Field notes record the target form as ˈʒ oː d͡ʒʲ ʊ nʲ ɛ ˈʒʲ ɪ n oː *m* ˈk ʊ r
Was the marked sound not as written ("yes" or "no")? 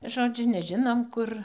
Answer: no